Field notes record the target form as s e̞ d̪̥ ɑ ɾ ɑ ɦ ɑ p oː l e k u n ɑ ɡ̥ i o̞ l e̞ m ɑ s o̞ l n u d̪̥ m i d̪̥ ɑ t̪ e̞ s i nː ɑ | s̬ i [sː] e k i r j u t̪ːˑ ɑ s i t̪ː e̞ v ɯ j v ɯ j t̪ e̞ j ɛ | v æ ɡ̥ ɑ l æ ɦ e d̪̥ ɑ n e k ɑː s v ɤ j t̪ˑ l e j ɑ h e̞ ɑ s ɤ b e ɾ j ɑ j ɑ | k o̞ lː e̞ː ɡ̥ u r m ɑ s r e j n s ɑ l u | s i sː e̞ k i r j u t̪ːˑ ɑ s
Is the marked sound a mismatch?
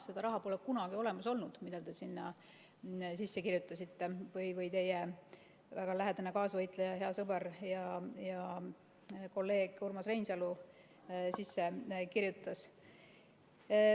no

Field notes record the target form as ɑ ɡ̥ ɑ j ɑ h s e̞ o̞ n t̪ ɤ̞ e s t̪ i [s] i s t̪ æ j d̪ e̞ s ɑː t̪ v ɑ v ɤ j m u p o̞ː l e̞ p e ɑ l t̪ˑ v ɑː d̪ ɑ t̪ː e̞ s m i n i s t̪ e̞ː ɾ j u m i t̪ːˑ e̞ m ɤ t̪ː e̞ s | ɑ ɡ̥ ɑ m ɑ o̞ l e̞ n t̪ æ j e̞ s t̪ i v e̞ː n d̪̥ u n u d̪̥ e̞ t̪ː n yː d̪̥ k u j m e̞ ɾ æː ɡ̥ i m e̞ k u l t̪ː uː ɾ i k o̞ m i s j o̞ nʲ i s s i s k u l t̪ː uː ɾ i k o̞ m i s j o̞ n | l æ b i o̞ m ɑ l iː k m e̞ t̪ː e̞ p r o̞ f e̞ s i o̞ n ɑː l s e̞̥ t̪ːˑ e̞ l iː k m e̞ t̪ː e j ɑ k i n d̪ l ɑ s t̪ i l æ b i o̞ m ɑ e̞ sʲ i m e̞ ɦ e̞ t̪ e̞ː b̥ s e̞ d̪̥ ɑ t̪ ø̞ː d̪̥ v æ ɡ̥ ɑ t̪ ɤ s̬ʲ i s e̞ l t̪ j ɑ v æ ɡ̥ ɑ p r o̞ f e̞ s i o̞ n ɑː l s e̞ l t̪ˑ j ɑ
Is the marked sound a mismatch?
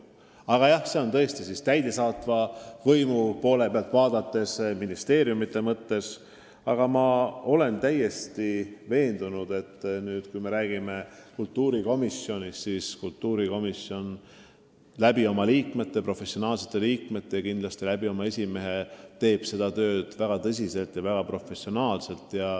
no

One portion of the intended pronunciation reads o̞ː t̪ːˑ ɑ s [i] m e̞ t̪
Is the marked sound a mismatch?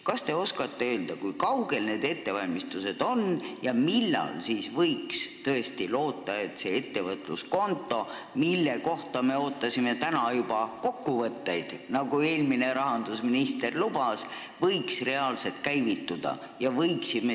no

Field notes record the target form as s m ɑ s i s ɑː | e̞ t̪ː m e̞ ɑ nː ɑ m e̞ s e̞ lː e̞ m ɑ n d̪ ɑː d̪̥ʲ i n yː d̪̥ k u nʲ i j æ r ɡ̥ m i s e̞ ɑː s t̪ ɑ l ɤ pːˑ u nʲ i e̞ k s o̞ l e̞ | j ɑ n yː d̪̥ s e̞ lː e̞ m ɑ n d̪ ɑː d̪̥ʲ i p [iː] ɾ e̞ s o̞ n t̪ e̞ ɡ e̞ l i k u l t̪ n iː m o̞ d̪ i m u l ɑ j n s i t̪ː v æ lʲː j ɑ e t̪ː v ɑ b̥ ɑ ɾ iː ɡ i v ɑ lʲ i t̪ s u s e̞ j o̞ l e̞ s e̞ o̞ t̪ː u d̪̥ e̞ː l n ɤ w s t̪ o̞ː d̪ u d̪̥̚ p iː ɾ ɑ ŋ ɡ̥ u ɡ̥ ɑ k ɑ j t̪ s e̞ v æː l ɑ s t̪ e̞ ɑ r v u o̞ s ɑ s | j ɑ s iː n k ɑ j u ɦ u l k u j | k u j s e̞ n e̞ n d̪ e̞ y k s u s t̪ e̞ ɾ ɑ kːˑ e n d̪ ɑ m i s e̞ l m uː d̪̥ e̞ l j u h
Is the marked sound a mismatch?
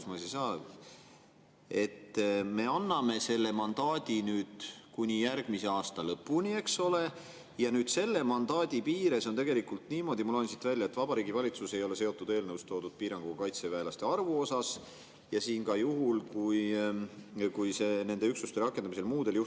no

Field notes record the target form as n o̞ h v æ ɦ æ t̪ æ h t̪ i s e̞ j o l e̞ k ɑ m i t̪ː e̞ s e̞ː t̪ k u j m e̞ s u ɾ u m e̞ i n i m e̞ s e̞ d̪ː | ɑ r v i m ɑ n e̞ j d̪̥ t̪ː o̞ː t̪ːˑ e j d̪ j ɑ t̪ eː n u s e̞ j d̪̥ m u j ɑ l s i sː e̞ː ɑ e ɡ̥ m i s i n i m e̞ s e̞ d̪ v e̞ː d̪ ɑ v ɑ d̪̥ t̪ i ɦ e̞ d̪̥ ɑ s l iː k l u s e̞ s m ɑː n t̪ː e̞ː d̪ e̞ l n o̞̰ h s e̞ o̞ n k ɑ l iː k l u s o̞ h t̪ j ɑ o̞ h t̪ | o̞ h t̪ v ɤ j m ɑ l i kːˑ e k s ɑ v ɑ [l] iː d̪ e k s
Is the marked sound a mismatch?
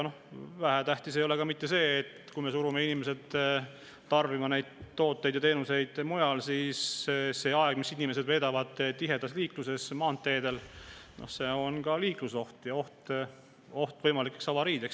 yes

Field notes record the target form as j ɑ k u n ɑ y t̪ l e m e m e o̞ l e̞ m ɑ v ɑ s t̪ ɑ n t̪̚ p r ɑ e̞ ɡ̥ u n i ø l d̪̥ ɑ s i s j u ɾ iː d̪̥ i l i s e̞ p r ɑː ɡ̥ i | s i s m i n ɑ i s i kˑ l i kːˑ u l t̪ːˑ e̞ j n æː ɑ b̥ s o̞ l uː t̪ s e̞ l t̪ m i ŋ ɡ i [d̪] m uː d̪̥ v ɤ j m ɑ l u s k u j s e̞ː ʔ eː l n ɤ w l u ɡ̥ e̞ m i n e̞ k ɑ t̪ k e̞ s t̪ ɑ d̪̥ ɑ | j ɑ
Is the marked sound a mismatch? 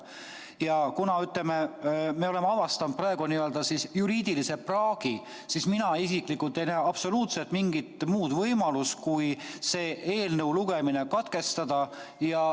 yes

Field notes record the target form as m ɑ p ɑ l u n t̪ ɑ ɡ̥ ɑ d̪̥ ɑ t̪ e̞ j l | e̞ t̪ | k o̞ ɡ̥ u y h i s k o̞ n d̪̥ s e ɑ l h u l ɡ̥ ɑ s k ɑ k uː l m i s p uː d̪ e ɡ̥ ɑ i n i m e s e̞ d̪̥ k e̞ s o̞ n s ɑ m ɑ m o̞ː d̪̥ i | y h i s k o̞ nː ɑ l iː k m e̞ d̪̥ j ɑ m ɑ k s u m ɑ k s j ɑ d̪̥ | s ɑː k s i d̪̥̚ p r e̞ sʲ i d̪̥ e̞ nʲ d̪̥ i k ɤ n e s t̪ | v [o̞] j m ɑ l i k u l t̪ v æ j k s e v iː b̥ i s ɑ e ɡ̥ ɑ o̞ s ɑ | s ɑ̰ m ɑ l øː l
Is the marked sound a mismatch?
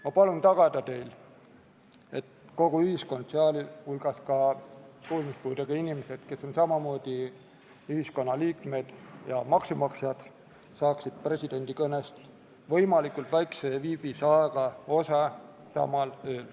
yes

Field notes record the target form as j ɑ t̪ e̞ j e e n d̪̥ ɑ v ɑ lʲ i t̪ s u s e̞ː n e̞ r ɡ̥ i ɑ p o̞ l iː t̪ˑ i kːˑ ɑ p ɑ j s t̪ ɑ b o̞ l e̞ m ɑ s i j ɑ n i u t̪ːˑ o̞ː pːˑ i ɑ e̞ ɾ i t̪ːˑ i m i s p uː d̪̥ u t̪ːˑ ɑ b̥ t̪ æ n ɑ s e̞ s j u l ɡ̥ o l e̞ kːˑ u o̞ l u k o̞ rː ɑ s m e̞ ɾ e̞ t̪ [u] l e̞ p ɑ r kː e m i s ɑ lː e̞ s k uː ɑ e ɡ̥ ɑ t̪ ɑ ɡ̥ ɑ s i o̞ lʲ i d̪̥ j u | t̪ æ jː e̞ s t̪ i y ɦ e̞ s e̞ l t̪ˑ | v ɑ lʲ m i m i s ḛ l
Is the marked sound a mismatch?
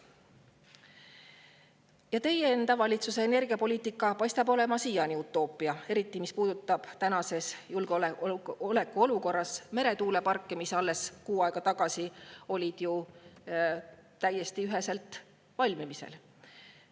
yes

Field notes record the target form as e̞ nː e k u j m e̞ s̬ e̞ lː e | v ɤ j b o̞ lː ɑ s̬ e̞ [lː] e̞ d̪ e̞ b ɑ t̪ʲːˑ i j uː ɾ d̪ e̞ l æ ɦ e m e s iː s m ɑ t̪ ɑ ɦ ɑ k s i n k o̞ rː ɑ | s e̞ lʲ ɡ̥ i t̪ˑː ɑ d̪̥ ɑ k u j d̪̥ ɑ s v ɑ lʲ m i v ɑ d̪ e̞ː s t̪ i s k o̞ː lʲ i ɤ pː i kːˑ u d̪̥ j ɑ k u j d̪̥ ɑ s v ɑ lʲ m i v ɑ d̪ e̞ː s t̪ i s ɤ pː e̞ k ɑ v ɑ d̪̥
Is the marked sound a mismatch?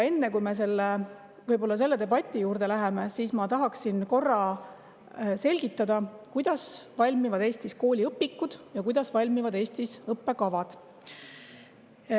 no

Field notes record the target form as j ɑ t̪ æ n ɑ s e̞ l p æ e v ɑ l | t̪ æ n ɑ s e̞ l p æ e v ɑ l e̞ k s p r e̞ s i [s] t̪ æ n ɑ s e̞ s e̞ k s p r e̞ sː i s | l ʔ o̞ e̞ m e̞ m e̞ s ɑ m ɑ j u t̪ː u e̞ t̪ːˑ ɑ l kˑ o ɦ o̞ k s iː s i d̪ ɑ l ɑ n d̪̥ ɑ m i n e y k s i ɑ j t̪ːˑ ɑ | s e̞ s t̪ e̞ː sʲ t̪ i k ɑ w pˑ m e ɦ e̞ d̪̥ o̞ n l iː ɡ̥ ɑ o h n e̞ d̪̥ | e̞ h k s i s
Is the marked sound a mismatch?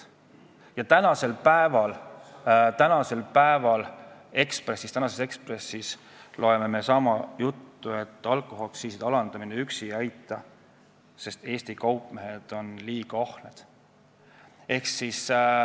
no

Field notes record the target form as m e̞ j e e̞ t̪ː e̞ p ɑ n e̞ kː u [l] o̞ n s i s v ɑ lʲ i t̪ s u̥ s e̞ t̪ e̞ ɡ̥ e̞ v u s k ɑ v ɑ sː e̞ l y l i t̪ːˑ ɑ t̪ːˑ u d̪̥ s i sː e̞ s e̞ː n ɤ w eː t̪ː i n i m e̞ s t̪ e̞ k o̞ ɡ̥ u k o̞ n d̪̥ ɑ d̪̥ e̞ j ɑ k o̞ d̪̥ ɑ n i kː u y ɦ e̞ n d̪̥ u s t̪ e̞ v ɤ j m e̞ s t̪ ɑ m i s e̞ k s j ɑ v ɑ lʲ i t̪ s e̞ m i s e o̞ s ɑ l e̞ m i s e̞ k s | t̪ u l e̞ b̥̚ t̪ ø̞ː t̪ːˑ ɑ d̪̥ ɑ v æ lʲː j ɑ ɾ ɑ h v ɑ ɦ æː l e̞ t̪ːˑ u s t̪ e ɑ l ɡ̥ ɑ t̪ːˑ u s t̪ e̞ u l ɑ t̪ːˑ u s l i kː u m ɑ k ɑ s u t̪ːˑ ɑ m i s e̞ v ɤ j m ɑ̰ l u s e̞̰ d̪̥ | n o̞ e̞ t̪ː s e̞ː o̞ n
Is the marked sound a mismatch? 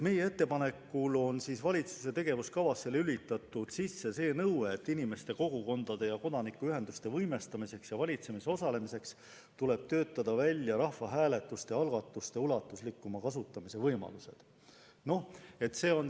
no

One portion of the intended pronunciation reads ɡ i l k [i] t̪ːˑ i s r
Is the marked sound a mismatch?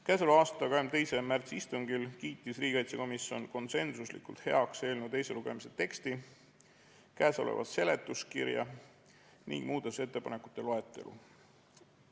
yes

